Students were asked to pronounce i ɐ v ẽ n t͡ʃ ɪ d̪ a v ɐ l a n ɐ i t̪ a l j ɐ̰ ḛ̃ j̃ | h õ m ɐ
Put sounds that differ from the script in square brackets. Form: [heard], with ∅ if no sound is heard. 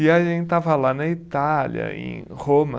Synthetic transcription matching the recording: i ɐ [ʒ] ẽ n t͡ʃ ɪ [t̪] a v ɐ l a n ɐ i t̪ a l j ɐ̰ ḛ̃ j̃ | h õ m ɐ

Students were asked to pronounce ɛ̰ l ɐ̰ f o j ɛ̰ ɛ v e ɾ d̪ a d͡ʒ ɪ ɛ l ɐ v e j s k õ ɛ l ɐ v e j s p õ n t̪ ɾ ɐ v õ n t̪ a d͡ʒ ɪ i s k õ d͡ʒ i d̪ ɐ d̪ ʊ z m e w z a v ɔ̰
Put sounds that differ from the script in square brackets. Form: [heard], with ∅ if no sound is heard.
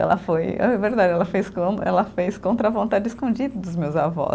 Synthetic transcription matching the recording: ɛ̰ l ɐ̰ f o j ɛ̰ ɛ v e ɾ d̪ a d͡ʒ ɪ ɛ l ɐ [f] e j s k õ ɛ l ɐ [f] e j s [k] õ n t̪ ɾ ɐ v õ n t̪ a d͡ʒ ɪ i s k õ d͡ʒ i d̪ ɐ d̪ ʊ z m e w z a v ɔ̰

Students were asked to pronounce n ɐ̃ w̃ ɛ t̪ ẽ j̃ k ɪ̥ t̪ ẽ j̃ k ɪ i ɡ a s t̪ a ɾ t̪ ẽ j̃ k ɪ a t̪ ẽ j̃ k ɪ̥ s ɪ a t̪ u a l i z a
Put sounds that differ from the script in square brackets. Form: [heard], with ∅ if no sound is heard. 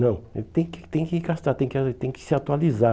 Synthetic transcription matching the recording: n ɐ̃ w̃ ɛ t̪ ẽ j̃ k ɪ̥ t̪ ẽ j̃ k ɪ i ɡ a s t̪ a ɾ t̪ ẽ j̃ k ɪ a t̪ ẽ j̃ k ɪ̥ s ɪ a t̪ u a l i z a

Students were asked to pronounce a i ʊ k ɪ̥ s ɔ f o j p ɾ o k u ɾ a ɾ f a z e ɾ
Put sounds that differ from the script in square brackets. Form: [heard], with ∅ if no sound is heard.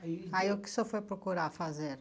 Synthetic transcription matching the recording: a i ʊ k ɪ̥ s ɔ f o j p ɾ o k u ɾ a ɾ f a z e ɾ

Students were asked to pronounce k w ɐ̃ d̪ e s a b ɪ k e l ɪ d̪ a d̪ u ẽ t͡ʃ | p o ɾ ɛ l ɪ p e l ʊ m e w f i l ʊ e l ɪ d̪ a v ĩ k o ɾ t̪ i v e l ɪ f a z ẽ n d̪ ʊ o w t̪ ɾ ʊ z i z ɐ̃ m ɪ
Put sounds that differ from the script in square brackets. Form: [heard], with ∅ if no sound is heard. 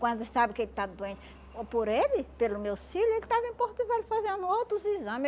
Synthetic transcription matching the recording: k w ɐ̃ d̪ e s a b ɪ k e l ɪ [t̪] a d̪ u ẽ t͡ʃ | p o ɾ [e] l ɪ p e l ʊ m e w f i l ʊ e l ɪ [t̪] a v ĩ [p] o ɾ t̪ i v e l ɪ f a z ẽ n d̪ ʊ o w t̪ ɾ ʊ z i z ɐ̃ m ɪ

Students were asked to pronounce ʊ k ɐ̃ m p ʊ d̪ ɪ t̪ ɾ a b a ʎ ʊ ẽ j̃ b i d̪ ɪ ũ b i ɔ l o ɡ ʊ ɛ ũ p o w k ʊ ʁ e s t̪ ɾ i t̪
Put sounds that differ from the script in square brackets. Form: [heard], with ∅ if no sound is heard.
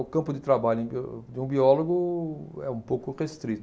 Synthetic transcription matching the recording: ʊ k ɐ̃ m p ʊ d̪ ɪ t̪ ɾ a b a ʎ ʊ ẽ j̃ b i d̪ ɪ ũ b i ɔ l o ɡ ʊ ɛ ũ p o w k ʊ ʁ e s t̪ ɾ i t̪

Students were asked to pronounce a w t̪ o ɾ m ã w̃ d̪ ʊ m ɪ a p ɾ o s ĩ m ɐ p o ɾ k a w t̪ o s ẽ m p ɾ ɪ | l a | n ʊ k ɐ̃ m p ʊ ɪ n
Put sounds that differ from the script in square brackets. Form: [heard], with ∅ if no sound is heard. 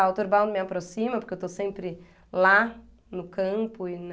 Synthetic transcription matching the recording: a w t̪ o ɾ [b] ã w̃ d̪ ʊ m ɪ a p ɾ o s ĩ m ɐ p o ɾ k [e] w t̪ o s ẽ m p ɾ ɪ | l a | n ʊ k ɐ̃ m p ʊ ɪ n

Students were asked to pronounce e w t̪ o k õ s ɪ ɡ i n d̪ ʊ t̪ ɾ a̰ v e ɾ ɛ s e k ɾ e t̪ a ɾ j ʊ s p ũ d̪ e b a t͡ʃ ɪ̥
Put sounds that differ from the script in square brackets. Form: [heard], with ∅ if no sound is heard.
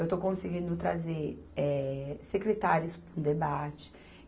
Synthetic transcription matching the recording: e w t̪ o k õ s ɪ ɡ [ĩ] n d̪ ʊ t̪ ɾ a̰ [z] e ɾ ɛ s e k ɾ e t̪ a ɾ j ʊ s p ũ d̪ e b a t͡ʃ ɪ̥

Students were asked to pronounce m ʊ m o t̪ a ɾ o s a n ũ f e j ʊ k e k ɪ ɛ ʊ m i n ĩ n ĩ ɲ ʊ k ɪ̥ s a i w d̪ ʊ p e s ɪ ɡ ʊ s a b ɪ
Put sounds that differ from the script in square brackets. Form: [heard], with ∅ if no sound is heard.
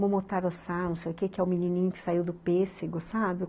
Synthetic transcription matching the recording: m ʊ m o t̪ a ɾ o s a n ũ [s] e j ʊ k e k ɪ ɛ ʊ m i n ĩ n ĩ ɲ ʊ k ɪ̥ s a i w d̪ ʊ p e s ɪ ɡ ʊ s a b ɪ

